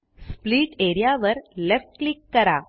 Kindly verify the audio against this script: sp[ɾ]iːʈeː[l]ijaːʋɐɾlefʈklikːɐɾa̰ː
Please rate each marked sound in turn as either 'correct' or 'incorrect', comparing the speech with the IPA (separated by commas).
incorrect, incorrect